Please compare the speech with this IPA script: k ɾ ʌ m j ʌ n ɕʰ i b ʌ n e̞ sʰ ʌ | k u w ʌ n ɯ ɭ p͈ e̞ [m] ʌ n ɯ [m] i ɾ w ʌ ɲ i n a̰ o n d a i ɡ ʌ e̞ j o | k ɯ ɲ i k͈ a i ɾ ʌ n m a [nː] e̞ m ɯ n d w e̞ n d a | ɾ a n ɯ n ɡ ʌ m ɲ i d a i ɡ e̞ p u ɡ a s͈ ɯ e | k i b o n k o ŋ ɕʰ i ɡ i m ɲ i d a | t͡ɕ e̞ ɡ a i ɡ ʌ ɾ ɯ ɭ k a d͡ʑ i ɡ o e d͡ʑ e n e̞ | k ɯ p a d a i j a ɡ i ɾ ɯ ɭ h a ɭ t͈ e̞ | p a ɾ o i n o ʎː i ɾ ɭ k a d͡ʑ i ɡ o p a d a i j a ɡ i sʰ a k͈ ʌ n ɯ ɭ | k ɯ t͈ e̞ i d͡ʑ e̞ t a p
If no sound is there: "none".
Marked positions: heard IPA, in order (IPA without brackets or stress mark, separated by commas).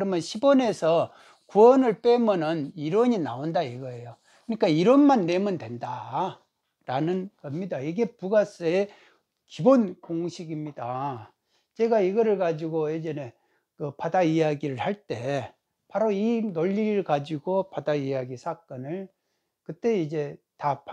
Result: m, n, nː